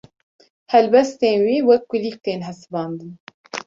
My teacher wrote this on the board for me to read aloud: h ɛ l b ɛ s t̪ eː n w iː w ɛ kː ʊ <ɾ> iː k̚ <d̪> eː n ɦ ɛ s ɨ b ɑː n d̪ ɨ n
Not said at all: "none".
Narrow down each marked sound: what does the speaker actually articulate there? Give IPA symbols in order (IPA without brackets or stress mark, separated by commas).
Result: l, t̪